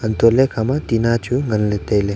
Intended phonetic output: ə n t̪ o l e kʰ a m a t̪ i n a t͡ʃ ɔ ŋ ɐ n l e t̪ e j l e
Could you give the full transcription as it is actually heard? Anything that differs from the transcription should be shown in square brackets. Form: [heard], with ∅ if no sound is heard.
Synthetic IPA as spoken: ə n t̪ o l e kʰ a m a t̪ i n a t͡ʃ [u] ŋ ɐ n l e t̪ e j l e